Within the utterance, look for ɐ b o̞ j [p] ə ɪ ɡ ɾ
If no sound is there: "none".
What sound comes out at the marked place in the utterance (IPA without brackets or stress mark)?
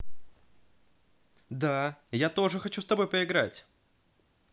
p